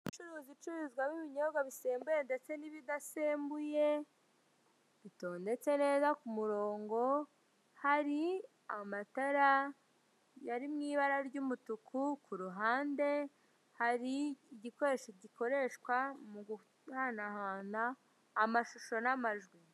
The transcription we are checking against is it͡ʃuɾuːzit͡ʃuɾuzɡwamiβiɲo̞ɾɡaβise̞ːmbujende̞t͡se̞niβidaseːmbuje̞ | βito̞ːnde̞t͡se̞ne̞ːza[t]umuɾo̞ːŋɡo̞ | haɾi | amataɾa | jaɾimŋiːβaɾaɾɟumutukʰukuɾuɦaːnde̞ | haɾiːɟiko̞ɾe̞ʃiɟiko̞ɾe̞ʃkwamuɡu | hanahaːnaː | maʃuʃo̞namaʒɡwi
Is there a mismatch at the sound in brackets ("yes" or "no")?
yes